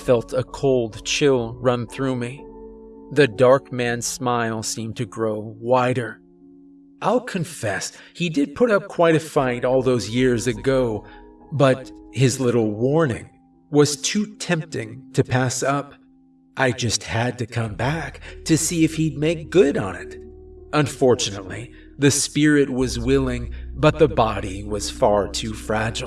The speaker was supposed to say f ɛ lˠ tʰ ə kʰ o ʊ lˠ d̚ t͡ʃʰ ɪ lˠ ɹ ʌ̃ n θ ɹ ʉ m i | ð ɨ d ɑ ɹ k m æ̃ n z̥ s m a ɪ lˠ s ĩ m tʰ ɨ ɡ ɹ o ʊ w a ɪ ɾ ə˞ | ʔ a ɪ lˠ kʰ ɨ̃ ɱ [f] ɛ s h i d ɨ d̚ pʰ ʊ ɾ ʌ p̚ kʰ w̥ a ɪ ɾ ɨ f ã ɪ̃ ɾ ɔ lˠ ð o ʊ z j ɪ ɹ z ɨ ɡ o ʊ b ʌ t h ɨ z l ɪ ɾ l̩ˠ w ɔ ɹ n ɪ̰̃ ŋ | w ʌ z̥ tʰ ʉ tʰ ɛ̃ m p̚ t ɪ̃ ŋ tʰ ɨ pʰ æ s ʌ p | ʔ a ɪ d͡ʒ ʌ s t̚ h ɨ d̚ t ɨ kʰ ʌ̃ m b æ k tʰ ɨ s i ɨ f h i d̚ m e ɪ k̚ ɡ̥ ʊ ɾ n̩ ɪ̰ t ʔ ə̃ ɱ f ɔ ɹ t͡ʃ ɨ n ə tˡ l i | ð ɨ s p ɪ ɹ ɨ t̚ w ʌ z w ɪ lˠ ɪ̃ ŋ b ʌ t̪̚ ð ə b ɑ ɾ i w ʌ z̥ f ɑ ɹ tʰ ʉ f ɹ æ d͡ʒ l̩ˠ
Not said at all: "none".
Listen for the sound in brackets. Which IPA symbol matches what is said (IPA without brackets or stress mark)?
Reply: f